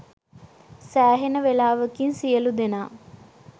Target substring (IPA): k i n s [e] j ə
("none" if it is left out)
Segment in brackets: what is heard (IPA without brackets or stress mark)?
i